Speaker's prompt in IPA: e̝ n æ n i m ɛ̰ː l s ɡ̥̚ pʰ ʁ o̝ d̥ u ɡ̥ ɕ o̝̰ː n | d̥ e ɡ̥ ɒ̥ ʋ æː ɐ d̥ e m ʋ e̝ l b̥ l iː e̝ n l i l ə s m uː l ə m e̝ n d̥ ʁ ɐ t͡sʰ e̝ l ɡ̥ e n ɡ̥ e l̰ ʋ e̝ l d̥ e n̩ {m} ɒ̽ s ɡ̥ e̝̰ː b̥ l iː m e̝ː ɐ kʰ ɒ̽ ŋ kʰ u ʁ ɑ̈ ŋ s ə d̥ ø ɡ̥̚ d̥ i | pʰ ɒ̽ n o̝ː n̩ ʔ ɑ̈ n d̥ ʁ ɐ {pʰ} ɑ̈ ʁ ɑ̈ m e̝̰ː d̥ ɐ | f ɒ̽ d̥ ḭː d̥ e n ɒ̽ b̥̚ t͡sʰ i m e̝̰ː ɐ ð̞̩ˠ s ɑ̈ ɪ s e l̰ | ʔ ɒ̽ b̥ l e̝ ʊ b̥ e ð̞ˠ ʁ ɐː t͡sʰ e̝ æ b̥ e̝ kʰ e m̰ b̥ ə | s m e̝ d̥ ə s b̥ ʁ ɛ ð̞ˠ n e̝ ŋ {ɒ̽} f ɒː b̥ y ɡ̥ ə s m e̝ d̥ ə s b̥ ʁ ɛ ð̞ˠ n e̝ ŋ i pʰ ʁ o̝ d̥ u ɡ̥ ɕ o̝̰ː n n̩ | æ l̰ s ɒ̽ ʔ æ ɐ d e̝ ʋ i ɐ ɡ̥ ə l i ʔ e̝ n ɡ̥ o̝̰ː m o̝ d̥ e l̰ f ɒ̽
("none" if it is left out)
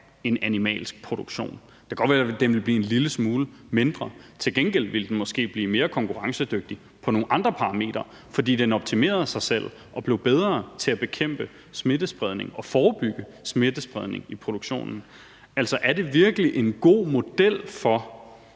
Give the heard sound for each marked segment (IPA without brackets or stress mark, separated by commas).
m, pʰ, ɒ̽